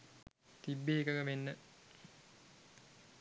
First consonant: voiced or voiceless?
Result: voiceless